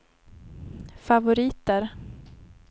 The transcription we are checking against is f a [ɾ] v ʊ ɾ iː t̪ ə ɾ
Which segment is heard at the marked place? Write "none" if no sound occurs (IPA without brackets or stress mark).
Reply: none